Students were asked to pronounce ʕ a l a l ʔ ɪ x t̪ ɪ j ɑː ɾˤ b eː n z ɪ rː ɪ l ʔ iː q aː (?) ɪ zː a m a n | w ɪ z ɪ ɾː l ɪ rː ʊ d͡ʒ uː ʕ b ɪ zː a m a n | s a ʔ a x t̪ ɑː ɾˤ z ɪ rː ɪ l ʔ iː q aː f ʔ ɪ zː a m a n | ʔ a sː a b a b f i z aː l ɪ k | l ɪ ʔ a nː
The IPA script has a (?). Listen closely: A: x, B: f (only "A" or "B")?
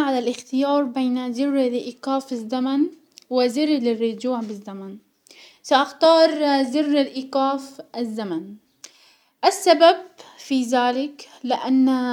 B